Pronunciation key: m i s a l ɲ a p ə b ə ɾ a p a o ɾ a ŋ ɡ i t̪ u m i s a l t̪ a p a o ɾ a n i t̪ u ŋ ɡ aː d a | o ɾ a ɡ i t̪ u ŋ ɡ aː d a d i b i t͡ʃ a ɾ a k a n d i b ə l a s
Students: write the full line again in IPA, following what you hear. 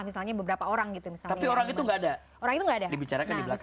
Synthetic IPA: m i s a l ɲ a b ə b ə ɾ a p a o ɾ a ŋ ɡ i t̪ u m i s a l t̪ a p i o ɾ a ŋ i t̪ u ŋ ɡ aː d a | o ɾ a ŋ i t̪ u ŋ ɡ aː d a d i b i t͡ʃ a ɾ a k a n d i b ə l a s